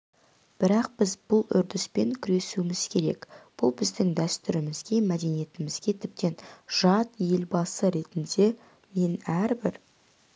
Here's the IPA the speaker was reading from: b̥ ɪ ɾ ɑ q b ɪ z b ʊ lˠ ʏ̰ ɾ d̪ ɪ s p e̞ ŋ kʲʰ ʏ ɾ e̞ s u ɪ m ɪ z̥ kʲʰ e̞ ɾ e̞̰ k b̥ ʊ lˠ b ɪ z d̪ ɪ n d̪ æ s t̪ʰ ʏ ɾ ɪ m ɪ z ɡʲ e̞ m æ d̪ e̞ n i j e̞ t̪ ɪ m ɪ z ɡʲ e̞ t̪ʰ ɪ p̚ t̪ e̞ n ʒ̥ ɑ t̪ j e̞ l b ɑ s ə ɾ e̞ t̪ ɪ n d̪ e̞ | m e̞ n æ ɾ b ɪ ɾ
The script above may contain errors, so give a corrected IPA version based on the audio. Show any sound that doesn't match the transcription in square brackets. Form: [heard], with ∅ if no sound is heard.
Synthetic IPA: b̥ ɪ ɾ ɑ q b ɪ z b ʊ lˠ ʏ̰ ɾ d̪ ɪ s p e̞ ŋ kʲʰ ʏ ɾ e̞ s u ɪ m ɪ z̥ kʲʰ e̞ ɾ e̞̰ k b̥ ʊ lˠ b ɪ z d̪ ɪ [ŋ] d̪ æ s [t̪] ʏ ɾ ɪ m ɪ z ɡʲ e̞ m æ d̪ e̞ n i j e̞ t̪ ɪ m ɪ z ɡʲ e̞ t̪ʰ ɪ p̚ t̪ e̞ n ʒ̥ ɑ t̪ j e̞ l b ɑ s ə ɾ e̞ t̪ ɪ n d̪ e̞ | m e̞ n æ ɾ b ɪ ɾ